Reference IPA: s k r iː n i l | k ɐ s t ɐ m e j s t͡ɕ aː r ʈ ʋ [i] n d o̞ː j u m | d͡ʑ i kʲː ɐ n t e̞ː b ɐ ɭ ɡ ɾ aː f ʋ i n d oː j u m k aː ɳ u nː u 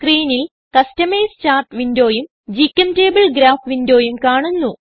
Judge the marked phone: correct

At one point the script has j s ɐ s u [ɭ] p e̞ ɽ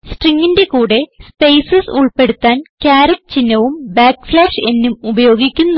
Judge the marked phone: correct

